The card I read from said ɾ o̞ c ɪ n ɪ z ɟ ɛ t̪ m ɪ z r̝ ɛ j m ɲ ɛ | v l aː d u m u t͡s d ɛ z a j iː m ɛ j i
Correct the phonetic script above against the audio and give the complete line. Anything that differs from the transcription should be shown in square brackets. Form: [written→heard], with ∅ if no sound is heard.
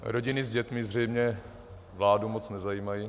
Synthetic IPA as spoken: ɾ o̞ [c→ɟ] ɪ n ɪ z ɟ ɛ t̪ m ɪ z r̝ ɛ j m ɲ ɛ | v l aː d u m [u→o] t͡s [d→n] ɛ z a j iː m [ɛ→a] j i